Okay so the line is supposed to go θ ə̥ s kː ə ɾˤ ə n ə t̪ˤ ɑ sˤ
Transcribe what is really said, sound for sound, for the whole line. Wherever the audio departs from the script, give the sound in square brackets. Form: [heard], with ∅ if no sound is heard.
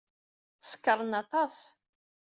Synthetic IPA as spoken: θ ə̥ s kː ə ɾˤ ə n [ɑ] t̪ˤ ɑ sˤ